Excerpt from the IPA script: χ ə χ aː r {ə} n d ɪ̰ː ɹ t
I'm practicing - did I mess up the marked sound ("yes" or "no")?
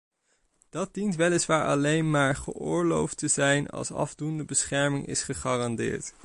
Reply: yes